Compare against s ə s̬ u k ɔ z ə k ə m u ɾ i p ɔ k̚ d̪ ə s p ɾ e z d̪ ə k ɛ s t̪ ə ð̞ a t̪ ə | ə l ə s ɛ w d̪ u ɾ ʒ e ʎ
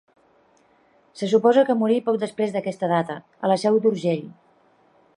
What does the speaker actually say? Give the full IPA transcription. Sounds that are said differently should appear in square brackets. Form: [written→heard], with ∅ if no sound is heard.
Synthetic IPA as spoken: s ə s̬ u [k→p] ɔ z ə k ə m u ɾ i p ɔ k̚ d̪ ə s p ɾ e z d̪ ə k ɛ s t̪ ə ð̞ a t̪ ə | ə l ə s ɛ w d̪ u ɾ ʒ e ʎ